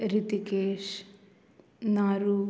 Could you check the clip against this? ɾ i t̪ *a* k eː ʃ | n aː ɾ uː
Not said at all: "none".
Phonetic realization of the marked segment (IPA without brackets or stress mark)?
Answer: i